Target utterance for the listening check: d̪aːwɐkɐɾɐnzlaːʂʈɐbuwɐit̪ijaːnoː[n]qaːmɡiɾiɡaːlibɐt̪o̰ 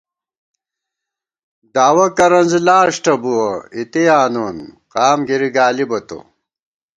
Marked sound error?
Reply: no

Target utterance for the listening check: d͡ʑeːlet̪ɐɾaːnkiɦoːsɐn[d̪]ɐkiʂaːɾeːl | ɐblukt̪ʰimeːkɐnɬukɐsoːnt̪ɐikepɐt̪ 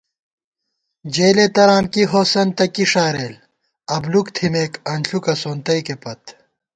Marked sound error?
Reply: yes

